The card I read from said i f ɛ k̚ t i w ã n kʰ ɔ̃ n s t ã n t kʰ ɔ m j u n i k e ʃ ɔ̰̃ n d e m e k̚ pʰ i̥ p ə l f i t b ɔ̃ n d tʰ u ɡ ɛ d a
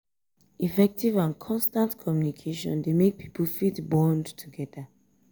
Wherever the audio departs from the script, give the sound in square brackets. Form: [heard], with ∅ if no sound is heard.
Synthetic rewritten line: i f ɛ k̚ t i [v] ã n kʰ ɔ̃ n s t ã n t kʰ ɔ m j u n i [kʰ] e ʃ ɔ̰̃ n d e m e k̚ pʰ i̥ p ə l f i t b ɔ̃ n d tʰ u ɡ ɛ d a